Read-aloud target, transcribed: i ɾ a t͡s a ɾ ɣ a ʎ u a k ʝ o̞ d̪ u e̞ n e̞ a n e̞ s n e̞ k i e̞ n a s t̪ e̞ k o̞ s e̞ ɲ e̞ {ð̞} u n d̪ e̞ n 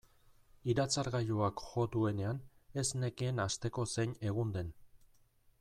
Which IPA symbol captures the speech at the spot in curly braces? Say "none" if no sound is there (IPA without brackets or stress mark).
ɣ̞